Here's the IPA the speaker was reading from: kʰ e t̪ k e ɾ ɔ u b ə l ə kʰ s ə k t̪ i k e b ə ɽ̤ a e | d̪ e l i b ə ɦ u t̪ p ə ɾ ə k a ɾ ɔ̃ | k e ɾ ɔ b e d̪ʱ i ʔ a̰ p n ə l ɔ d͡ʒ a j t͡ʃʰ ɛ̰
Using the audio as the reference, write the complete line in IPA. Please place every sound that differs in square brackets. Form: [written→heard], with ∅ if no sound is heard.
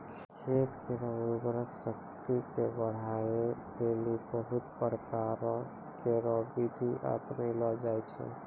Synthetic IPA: kʰ e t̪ k e ɾ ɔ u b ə [l→ɾ] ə [kʰ→k] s ə k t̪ i k e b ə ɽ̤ a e | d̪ e l i b ə ɦ u t̪ p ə ɾ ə k a ɾ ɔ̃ | k e ɾ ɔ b [e→i] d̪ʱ i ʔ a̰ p n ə l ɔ d͡ʒ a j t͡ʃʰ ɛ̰

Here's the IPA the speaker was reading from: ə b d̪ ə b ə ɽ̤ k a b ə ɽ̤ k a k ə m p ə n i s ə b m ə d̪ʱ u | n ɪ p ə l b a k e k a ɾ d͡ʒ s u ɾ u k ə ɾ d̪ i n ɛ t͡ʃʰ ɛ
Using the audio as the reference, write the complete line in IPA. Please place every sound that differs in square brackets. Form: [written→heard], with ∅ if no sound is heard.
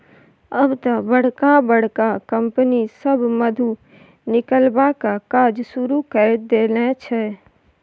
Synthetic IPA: ə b [d̪→t̪] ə b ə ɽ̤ k a b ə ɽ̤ k a k ə m p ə n i s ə b m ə d̪ʱ u | n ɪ [p→k] ə l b a k [e→a] k a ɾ d͡ʒ s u ɾ u k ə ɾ d̪ [i→e] n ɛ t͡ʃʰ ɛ

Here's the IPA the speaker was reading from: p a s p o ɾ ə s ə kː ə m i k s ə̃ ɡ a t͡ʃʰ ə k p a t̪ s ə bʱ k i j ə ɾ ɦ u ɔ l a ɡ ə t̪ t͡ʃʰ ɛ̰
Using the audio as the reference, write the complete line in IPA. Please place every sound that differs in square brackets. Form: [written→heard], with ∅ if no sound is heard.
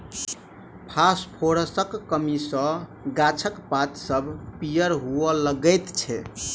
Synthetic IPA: [p→pʰ] a s [p→pʰ] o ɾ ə s ə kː ə m i [k→∅] s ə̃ ɡ a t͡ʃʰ ə k p a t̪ s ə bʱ [k→p] i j ə ɾ ɦ u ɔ l [a→ə] ɡ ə t̪ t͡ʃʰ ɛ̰

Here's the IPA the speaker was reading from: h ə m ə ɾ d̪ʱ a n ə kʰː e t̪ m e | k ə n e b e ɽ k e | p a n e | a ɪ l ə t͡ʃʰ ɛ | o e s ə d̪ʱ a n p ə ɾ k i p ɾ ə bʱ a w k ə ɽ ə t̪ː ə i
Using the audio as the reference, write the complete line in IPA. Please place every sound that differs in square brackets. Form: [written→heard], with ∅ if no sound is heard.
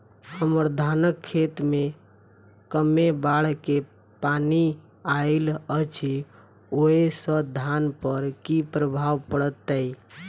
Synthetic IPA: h ə m ə ɾ d̪ʱ a n ə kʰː e t̪ m e | k ə [n→m] e b [e→a] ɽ k e | p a n [e→i] | a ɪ l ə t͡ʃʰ [ɛ→i] | o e s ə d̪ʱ a n p ə ɾ k i p ɾ ə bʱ a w [k→p] ə ɽ ə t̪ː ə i

